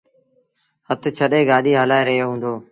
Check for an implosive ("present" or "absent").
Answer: present